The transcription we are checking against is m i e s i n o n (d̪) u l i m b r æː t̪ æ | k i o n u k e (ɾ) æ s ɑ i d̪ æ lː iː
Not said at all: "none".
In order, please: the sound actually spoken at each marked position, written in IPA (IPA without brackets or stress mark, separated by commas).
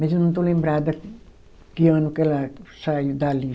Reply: t̪, l